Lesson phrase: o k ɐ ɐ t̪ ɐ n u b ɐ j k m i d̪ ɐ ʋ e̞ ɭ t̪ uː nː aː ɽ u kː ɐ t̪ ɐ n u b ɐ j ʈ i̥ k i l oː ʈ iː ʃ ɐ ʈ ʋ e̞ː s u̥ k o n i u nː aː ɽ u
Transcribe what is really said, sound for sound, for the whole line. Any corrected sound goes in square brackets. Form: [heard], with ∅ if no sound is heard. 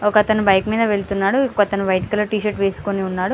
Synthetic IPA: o k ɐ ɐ t̪ ɐ n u b ɐ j k m [iː] d̪ ɐ ʋ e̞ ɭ t̪ [u] nː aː ɽ u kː ɐ t̪ ɐ n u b ɐ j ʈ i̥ k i l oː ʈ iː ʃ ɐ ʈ ʋ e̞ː s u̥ k o n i u nː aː ɽ u